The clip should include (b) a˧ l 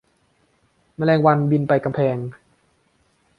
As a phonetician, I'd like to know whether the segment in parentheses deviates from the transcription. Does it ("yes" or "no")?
yes